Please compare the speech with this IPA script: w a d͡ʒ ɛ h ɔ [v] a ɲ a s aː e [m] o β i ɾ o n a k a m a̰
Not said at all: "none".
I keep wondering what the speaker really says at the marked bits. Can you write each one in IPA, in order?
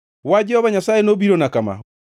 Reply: β, n

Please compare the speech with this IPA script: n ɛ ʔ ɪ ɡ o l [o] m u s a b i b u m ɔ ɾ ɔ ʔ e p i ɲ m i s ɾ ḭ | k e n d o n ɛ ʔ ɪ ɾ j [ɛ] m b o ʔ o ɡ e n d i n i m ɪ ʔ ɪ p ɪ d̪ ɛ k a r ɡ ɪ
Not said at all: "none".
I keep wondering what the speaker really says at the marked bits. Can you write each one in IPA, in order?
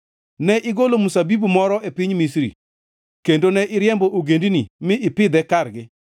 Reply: o, ɛ

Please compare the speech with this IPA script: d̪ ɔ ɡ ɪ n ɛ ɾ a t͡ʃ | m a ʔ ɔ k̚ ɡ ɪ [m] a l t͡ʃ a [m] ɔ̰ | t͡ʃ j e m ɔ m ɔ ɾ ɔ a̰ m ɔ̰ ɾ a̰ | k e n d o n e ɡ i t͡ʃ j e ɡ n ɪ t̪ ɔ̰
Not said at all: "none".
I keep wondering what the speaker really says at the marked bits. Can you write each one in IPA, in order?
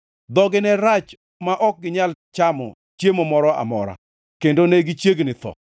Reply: ɲ, m

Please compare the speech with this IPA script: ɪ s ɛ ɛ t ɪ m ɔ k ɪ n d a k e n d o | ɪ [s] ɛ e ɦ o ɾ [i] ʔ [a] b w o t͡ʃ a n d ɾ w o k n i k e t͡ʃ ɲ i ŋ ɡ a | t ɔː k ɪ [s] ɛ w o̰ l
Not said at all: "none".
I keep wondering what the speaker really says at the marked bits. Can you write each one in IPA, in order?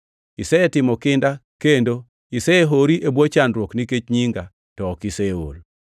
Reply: s, i, e, s

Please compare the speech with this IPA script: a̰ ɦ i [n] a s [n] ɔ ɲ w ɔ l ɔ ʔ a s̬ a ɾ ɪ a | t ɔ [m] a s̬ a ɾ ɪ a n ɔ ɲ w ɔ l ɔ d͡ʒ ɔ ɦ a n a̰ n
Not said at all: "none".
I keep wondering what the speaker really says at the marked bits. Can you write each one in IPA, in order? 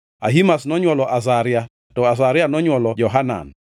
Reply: m, n, none

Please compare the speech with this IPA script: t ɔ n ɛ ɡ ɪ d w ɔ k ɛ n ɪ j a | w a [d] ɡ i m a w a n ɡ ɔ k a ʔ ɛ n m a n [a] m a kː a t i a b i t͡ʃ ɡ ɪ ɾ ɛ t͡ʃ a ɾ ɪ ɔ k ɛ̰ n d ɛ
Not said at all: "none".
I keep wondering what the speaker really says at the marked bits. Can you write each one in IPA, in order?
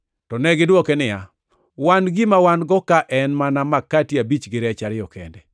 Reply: n, a

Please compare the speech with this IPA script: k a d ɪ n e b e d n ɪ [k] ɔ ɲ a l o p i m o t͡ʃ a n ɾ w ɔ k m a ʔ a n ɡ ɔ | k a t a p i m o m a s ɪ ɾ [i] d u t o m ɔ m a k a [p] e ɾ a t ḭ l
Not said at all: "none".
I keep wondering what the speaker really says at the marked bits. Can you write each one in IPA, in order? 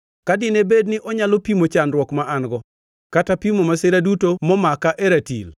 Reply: ʔ, a, ʔ

